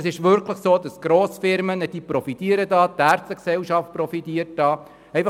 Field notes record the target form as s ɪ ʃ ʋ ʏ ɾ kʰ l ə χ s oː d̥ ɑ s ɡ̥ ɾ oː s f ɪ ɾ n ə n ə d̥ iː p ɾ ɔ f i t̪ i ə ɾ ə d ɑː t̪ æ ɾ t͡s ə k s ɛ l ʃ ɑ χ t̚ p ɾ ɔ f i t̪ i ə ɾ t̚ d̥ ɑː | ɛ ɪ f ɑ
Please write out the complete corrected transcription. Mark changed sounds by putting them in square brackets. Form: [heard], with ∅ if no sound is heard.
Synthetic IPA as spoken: s ɪ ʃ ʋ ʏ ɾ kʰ l ə χ s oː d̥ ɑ s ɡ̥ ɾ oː s f ɪ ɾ [m] ə n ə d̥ iː p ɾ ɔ f i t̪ i ə ɾ ə d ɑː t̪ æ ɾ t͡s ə k s ɛ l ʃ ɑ [f] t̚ p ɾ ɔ f i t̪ i ə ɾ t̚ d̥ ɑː | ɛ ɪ f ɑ